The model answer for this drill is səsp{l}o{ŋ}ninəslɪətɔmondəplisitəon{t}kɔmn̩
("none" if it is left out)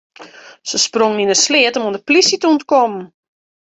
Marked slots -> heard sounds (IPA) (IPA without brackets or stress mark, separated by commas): r, ŋ, t